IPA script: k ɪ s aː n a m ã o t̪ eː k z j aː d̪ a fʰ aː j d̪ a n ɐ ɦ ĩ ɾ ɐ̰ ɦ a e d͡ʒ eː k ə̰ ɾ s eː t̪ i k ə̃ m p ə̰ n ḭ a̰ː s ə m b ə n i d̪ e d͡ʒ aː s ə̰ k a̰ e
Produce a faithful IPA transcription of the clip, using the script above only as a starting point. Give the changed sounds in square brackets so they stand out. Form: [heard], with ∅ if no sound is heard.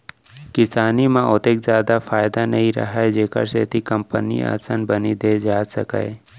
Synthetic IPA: k ɪ s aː n [i] m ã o t̪ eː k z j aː d̪ a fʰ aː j d̪ a n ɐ ɦ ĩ ɾ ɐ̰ ɦ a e d͡ʒ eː k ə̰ ɾ s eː t̪ i k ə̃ m p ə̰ n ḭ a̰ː s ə [n] b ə n i d̪ e d͡ʒ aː s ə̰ k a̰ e